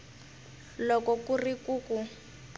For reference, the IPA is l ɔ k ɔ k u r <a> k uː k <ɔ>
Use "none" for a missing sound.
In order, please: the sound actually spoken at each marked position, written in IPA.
i, u

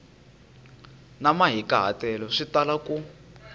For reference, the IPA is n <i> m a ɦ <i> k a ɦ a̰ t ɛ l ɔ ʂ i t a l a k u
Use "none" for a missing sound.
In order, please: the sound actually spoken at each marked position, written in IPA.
a, i

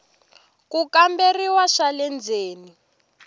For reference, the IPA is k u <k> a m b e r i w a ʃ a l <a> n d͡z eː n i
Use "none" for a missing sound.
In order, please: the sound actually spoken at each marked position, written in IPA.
k, ɛ

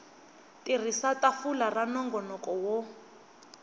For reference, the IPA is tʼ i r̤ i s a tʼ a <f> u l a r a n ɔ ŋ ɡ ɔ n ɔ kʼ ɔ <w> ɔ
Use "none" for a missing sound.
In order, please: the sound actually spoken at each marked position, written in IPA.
f, w

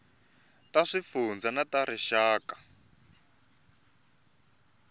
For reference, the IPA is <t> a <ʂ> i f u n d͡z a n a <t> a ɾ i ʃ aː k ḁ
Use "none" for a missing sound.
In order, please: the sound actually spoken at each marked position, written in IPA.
t, ʂ, t

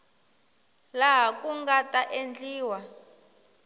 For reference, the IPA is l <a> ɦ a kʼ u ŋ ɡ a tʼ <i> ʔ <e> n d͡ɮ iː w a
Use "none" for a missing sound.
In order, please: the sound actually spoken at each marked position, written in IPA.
a, a, e

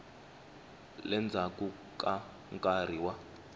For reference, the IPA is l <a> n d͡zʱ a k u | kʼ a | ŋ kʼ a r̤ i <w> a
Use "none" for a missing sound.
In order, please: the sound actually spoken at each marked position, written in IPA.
ɛ, w

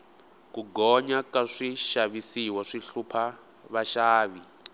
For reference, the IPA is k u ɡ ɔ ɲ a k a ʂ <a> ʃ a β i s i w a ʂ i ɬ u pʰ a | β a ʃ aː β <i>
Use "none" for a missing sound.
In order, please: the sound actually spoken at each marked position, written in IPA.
i, i

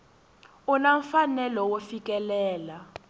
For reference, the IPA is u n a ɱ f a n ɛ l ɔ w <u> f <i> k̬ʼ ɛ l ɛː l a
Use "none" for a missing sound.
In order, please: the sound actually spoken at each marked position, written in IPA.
o, i

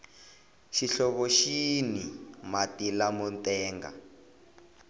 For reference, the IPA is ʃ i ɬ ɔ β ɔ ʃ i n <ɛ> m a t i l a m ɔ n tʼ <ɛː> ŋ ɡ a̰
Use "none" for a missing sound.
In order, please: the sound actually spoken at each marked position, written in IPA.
i, ɛː

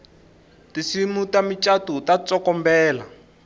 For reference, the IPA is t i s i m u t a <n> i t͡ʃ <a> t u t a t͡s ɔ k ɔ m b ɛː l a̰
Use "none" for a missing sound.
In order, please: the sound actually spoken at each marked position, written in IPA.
m, a

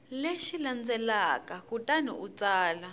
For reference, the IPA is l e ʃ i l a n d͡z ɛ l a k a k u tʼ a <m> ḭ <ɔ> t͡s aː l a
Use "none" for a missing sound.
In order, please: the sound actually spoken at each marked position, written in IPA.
n, u

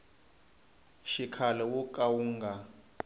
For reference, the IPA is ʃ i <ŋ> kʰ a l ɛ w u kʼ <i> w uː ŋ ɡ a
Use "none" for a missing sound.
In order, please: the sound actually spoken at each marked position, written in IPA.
none, a

